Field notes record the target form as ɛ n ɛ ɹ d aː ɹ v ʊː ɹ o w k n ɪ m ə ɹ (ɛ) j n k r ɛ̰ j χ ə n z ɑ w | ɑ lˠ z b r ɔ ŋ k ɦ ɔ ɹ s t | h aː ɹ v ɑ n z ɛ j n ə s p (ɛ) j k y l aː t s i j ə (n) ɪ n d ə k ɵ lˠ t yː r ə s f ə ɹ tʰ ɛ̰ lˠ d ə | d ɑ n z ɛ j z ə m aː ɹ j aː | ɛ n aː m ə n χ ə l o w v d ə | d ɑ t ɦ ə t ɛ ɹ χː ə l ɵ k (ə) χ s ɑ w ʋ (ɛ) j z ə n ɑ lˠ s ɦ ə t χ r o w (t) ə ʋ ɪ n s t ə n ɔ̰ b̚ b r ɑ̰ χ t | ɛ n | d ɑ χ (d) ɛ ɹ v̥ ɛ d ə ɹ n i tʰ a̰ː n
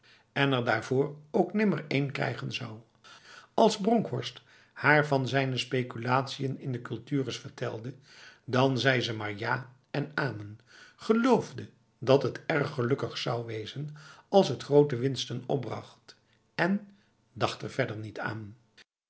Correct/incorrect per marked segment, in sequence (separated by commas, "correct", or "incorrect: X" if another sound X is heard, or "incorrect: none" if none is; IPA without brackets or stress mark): incorrect: e, incorrect: e, correct, correct, incorrect: e, correct, incorrect: t